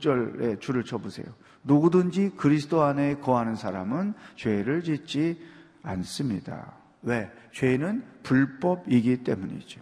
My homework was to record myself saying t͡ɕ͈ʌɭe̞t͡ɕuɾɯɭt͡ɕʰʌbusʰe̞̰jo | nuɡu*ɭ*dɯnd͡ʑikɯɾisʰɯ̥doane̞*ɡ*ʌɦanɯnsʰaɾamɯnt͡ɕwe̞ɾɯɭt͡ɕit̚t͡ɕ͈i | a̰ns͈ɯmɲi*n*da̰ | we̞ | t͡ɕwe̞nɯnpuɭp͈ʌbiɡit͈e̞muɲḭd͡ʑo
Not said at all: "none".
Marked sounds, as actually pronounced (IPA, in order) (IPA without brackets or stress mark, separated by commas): none, k, none